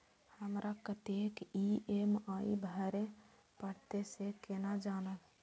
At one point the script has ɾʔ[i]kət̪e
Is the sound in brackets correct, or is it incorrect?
incorrect